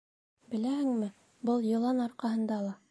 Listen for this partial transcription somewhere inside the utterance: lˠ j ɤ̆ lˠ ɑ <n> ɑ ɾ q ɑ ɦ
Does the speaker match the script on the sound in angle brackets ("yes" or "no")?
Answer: yes